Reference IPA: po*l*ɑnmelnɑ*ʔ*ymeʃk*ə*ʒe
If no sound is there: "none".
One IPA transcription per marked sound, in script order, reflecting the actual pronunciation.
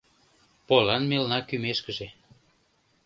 l, k, ə

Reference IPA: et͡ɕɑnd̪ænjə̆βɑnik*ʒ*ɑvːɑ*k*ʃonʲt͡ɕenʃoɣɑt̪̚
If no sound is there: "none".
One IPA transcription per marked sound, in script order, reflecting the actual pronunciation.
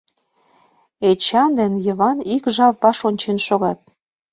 ʒ, none

